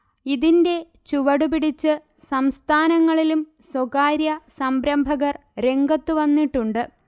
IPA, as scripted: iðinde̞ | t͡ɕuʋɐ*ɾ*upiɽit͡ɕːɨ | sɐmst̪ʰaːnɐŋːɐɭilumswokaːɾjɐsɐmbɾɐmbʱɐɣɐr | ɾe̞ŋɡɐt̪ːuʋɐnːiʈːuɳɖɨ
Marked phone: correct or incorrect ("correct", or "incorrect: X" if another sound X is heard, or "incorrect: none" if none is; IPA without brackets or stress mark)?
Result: incorrect: ɽ